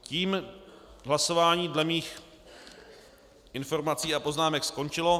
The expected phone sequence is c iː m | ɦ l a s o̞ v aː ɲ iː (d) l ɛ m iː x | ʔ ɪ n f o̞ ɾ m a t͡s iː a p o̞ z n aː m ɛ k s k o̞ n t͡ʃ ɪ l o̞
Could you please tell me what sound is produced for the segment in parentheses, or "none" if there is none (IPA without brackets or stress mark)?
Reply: d